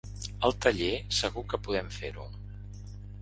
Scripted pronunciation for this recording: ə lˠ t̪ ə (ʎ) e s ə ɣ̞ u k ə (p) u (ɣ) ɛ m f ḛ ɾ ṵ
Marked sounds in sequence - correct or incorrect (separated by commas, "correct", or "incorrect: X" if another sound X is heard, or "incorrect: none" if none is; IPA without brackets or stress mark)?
correct, correct, incorrect: ð